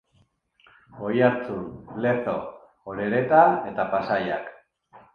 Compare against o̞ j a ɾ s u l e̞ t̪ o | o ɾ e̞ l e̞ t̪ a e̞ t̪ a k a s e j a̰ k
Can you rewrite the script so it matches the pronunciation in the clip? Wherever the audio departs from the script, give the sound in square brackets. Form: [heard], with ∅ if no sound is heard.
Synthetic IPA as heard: o̞ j a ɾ [t͡s] u l e̞ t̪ o | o ɾ e̞ [ɾ] e̞ t̪ a e̞ t̪ a [p] a s [a] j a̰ k